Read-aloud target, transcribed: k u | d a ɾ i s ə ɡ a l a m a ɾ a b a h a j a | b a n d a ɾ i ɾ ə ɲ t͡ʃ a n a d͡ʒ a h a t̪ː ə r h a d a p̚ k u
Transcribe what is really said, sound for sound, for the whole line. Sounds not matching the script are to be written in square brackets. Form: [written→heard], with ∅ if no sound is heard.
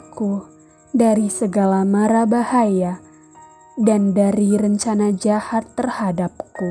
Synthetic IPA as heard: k u | d a ɾ i s ə ɡ a l a m a ɾ a b a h a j a | [b→d] a n d a ɾ i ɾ ə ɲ t͡ʃ a n a d͡ʒ a h a t̪ː ə r h a d a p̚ k u

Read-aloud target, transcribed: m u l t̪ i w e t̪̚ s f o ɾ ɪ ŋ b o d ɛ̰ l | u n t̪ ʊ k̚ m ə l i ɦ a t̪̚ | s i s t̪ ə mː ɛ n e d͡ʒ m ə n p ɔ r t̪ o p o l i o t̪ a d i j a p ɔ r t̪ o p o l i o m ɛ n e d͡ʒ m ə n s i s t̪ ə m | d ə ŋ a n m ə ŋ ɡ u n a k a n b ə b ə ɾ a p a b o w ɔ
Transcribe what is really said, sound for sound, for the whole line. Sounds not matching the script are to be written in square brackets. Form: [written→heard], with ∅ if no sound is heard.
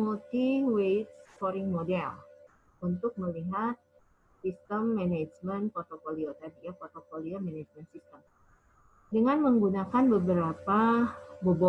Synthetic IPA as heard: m u l t̪ i w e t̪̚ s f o ɾ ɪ ŋ [b→m] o d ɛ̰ l | u n t̪ ʊ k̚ m ə l i ɦ a t̪̚ | s i s t̪ ə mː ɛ n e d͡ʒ m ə n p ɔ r t̪ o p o l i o t̪ a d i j a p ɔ r t̪ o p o l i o m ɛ n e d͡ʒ m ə n s i s t̪ ə m | d ə ŋ a n m ə ŋ ɡ u n a k a n b ə b ə ɾ a p a b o [w→b] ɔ

